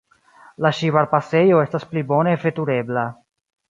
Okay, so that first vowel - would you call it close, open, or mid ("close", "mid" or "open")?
open